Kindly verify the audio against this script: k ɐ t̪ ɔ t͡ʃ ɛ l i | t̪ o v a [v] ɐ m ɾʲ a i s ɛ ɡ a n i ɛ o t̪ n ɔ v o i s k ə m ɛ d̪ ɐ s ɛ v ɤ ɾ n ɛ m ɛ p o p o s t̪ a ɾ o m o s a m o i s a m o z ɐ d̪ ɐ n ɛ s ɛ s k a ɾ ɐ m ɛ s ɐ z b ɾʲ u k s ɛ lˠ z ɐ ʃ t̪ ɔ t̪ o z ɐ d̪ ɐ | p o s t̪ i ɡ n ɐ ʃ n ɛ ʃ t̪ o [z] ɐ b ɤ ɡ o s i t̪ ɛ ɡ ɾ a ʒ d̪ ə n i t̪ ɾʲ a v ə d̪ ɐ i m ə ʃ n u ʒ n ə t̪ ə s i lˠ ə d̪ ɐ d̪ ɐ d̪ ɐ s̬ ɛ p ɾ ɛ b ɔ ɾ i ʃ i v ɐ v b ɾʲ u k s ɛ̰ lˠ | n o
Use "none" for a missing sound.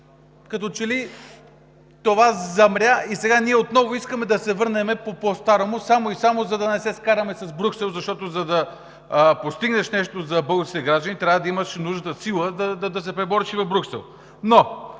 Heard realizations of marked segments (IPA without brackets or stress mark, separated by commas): z, z